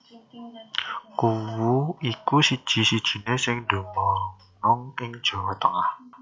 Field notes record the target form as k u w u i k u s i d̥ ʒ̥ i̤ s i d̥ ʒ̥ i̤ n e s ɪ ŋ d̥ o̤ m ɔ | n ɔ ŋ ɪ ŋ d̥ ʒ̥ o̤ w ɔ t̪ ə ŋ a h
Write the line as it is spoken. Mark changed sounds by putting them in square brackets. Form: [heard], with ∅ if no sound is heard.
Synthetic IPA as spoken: k u w u i k u s i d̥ ʒ̥ i̤ s i d̥ ʒ̥ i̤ n e s ɪ ŋ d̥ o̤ m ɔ | n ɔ ŋ ɪ ŋ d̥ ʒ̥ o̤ w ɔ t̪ ə ŋ a h